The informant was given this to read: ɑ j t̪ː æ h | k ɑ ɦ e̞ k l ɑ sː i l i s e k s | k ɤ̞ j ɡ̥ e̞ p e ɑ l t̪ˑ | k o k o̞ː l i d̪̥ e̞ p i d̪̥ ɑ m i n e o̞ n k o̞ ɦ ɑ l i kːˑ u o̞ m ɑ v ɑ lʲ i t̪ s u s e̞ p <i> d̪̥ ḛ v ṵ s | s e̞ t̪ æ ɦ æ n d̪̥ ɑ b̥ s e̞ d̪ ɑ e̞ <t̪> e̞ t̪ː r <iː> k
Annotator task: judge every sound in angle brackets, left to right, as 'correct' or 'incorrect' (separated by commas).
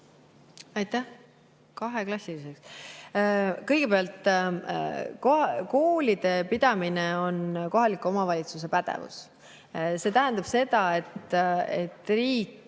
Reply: incorrect, correct, correct